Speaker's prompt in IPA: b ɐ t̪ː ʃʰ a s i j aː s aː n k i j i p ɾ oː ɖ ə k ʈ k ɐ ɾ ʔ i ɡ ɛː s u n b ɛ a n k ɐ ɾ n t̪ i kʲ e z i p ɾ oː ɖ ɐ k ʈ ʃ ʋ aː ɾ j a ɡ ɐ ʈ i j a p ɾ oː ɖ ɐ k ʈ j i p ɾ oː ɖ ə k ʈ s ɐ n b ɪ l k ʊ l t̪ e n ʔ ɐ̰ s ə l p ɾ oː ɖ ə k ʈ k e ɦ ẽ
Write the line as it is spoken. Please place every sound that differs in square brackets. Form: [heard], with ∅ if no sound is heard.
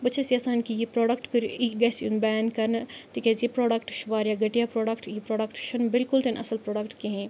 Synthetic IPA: b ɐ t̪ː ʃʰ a s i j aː s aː n k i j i p ɾ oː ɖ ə k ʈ k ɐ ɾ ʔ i ɡ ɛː s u n b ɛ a n k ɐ ɾ n t̪ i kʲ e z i p ɾ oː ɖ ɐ k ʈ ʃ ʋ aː ɾ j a ɡ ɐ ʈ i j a p ɾ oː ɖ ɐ k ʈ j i p ɾ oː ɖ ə k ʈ [ʃ] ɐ n b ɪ l k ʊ l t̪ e n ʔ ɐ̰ s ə l p ɾ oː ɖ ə k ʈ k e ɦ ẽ